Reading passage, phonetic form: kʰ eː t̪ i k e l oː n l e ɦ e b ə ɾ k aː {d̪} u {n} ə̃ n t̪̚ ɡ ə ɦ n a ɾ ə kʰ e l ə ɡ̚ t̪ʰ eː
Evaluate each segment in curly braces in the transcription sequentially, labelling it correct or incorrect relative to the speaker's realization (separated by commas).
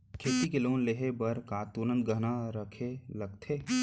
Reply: incorrect, correct